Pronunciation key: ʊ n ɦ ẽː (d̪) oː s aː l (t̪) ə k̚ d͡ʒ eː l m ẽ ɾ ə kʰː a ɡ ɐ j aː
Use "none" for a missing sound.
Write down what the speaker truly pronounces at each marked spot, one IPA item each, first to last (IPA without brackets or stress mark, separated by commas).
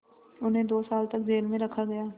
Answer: d̪, t̪